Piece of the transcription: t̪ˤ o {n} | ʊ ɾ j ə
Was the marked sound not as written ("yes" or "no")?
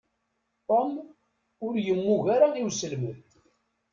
yes